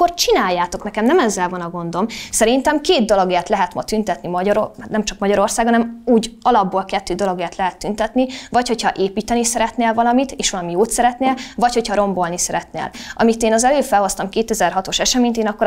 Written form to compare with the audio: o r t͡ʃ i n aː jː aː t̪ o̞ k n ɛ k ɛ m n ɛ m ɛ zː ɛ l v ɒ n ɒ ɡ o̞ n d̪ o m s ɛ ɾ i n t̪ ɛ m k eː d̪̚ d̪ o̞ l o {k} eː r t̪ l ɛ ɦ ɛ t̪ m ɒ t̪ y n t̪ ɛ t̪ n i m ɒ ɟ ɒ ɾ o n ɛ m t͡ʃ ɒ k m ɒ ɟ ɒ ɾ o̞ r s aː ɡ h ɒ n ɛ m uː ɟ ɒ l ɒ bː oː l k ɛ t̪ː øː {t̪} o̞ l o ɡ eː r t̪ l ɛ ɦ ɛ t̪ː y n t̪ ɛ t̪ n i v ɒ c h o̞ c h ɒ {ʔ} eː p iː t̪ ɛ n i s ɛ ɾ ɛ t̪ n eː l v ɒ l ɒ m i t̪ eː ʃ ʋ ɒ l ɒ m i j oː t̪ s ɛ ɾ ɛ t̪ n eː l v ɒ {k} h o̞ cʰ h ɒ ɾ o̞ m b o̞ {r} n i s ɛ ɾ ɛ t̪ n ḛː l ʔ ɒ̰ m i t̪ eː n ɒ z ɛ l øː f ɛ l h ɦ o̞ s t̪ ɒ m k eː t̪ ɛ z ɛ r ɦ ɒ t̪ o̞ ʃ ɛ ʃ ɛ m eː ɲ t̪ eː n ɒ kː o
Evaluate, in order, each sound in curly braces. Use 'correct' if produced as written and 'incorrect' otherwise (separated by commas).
incorrect, incorrect, correct, incorrect, incorrect